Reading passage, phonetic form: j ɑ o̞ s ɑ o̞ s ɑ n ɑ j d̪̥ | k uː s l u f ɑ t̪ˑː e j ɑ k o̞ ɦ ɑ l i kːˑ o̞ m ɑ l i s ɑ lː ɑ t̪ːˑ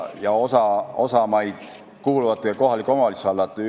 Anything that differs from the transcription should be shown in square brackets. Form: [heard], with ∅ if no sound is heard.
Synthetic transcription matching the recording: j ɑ o̞ s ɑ o̞ s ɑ [m] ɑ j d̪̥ | k uː [∅] l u [v] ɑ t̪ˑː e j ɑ k o̞ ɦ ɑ l i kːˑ o̞ m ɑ l i s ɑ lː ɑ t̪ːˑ